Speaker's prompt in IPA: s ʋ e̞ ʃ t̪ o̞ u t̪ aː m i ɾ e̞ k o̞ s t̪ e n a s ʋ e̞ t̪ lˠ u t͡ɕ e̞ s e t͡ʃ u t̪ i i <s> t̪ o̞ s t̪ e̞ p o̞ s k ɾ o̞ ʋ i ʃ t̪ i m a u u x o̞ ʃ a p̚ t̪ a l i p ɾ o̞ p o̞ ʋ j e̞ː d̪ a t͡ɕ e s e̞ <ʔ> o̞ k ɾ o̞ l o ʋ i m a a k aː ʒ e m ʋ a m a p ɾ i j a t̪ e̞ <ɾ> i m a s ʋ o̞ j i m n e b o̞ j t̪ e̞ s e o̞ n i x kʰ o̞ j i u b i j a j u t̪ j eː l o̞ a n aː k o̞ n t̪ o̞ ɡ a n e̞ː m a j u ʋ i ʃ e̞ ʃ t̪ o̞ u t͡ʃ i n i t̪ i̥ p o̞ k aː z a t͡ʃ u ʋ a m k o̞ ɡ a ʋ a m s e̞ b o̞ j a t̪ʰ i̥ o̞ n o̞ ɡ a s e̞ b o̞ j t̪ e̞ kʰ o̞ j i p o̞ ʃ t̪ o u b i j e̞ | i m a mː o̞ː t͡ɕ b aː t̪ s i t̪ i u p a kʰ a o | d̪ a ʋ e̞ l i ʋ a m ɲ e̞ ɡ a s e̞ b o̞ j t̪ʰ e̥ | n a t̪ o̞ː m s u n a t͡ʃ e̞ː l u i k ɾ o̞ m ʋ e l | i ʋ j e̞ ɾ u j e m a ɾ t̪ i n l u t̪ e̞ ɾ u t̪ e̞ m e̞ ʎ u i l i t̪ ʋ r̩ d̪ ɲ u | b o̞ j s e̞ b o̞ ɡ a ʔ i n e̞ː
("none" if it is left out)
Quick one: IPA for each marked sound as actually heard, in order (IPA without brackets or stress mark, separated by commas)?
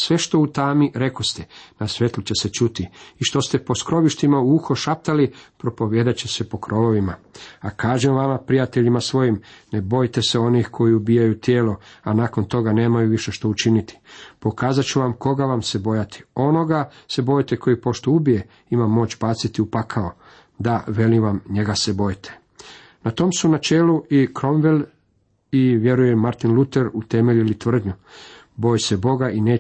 ʃ, p, ʎ